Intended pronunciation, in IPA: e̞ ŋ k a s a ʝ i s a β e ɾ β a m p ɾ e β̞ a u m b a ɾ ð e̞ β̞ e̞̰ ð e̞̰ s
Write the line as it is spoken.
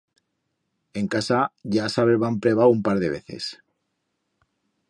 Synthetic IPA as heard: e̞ ŋ k a s a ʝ a s a β e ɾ β a m p ɾ e β̞ a u m p a ɾ ð e̞ β̞ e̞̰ θ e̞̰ s